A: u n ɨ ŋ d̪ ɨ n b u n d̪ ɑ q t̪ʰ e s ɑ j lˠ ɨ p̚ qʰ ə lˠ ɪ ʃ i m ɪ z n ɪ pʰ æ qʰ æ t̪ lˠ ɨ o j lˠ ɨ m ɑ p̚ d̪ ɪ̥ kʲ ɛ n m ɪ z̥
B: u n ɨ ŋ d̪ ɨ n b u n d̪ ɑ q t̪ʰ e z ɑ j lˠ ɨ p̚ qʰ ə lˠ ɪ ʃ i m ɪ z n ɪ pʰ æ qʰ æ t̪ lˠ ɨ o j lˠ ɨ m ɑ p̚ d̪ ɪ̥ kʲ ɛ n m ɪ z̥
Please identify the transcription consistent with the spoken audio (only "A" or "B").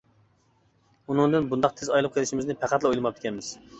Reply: B